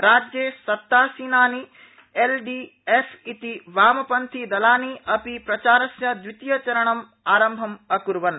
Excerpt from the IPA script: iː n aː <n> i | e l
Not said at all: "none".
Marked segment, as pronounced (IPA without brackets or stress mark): n